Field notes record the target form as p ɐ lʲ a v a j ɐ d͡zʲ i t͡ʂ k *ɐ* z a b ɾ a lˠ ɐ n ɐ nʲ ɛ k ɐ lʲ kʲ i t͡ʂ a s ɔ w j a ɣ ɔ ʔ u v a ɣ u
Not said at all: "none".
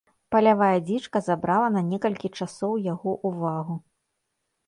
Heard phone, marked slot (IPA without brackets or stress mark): ɐ